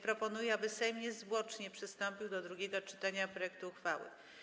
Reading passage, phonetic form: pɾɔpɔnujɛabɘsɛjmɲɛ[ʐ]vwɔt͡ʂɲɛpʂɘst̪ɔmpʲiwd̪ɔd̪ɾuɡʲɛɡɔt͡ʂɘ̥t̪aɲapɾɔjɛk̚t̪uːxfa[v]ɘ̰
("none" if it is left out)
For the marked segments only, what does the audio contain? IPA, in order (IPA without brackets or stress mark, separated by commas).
z, w